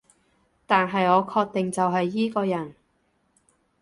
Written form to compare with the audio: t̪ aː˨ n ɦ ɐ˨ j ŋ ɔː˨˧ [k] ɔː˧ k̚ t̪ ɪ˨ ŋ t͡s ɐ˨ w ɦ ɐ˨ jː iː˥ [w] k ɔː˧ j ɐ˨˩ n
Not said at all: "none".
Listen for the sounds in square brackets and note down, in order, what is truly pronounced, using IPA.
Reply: kʰ, none

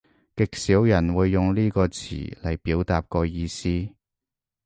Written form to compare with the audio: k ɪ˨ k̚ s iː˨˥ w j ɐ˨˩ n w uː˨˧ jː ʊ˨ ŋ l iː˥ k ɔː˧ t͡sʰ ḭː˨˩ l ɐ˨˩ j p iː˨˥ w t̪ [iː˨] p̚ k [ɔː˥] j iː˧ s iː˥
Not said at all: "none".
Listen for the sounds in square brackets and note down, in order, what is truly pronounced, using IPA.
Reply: aː˨, ɔː˧

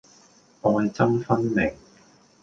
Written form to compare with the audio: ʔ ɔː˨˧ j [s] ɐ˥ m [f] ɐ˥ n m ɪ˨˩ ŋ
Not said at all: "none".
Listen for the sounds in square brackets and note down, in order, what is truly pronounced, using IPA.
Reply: t͡s, f

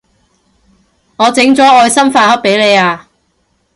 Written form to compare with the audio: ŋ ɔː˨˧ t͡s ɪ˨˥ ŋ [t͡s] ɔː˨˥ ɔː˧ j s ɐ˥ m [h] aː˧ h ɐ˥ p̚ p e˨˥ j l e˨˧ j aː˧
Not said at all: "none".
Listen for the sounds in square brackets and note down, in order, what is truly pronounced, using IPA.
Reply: t͡s, f

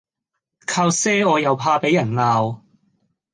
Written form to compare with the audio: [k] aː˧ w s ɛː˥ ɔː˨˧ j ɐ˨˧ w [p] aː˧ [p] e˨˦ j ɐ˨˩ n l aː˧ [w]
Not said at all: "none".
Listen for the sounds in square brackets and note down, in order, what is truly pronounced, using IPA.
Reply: kʰ, pʰ, p, w

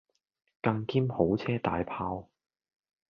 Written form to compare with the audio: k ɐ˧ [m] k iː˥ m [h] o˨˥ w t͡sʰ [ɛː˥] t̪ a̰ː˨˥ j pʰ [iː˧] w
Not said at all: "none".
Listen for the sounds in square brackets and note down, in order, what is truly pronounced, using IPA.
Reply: ŋ, h, ɛː˥, aː˧

